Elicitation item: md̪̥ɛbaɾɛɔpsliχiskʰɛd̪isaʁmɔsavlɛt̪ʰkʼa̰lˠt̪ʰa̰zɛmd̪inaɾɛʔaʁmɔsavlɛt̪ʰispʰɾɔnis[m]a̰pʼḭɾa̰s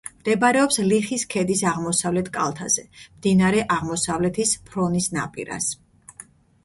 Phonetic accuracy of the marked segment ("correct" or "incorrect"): incorrect